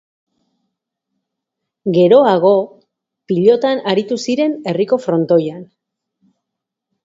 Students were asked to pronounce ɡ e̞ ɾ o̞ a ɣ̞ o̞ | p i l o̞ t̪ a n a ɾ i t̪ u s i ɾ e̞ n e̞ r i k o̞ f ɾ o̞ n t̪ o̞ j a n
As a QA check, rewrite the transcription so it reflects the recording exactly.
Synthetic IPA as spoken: ɡ e̞ ɾ o̞ a ɣ̞ o̞ | p i ʎ o̞ t̪ a n a ɾ i t̪ u s i ɾ e̞ n e̞ r i k o̞ f ɾ o̞ n t̪ o̞ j a n